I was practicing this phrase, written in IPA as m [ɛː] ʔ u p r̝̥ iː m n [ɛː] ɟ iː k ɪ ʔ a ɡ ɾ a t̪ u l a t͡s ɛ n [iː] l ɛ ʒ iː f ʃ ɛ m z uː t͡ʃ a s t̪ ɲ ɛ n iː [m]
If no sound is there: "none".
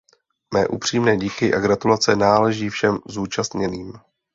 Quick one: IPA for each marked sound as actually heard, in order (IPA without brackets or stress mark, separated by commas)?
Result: ɛː, ɛː, aː, m